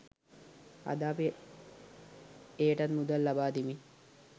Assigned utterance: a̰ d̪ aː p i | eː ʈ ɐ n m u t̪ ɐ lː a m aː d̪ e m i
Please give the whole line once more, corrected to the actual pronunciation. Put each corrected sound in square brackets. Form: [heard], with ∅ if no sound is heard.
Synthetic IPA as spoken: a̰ d̪ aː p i | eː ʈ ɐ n m u [d̪] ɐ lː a [b] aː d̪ [i] m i